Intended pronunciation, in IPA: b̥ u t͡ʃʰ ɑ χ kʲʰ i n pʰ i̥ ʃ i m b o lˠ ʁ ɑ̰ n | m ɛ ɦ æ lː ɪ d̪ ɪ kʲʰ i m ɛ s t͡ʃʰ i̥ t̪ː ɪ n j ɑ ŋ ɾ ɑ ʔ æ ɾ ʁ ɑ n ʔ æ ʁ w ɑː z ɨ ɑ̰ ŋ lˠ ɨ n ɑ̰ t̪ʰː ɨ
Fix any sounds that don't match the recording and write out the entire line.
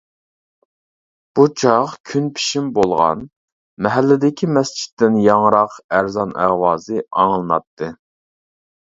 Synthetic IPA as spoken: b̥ u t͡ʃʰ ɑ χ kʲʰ y n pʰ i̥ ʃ i m b o lˠ ʁ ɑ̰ n | m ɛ ɦ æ lː ɪ d̪ ɪ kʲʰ i m ɛ s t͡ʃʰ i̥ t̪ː ɪ n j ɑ ŋ ɾ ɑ q æ ɾ z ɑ n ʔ æ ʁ w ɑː z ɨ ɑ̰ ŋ lˠ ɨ n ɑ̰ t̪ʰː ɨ